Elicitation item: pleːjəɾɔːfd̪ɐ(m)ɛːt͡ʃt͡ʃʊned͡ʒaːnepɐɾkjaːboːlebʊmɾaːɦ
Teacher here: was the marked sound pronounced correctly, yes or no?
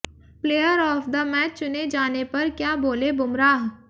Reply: yes